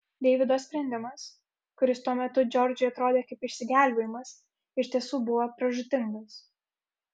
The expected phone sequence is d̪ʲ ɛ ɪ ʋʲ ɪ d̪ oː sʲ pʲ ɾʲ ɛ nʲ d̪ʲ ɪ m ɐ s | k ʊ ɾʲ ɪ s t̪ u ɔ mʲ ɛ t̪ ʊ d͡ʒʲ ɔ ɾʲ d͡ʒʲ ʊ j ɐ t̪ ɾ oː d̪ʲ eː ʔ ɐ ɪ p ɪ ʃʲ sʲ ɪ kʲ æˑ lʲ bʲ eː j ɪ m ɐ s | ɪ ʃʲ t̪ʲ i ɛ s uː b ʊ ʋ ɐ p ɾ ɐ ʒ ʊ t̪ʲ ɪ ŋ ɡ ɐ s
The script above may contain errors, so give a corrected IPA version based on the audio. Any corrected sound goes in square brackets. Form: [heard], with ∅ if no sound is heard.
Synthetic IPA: d̪ʲ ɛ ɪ ʋʲ ɪ d̪ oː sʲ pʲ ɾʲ ɛ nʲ d̪ʲ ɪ m ɐ s | k ʊ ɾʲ ɪ s t̪ u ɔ mʲ ɛ t̪ ʊ d͡ʒʲ ɔ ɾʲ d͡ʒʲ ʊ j ɐ t̪ ɾ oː d̪ʲ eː [k] ɐ ɪ p ɪ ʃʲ sʲ ɪ [ɡʲ] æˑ lʲ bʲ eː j ɪ m ɐ s | ɪ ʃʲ t̪ʲ i ɛ s uː b ʊ ʋ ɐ p ɾ ɐ ʒ ʊ t̪ʲ ɪ ŋ ɡ ɐ s